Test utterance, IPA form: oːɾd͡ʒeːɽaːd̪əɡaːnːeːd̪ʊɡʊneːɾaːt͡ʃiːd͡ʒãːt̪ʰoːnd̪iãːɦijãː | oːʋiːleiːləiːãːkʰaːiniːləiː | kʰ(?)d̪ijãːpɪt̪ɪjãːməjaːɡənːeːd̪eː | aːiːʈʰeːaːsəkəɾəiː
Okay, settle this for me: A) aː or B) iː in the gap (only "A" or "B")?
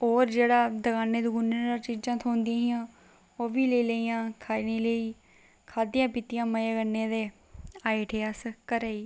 A